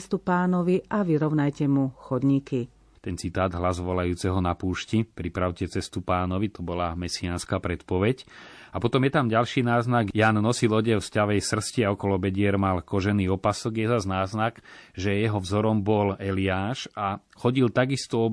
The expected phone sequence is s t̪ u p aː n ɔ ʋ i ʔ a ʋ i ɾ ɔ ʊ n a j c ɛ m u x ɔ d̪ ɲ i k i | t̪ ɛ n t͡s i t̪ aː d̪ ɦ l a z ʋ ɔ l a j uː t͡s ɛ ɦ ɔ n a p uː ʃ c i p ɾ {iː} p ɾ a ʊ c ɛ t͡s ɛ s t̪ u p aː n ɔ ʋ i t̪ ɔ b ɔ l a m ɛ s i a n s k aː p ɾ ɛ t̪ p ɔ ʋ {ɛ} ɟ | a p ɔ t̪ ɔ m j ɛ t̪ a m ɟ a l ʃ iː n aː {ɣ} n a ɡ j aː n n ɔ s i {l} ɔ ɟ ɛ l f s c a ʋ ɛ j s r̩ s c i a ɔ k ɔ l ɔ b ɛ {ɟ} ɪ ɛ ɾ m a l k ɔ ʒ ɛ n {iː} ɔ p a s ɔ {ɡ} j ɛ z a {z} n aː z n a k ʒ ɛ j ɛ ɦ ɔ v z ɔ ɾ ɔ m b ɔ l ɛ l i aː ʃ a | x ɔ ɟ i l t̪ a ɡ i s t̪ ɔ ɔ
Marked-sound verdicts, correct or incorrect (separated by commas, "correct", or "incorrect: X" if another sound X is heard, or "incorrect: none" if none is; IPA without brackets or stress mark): incorrect: i, correct, incorrect: z, correct, correct, correct, correct, correct